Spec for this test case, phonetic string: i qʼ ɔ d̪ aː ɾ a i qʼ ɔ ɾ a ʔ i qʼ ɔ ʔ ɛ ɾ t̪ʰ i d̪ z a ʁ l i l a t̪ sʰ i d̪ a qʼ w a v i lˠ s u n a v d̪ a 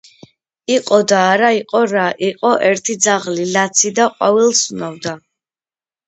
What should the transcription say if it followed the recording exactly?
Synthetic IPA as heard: i qʼ ɔ d̪ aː ɾ a i qʼ ɔ ɾ a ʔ i qʼ ɔ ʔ ɛ ɾ t̪ʰ i d̪ z a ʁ l i l a t̪ sʰ i d̪ a qʼ w a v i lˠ s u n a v d̪ a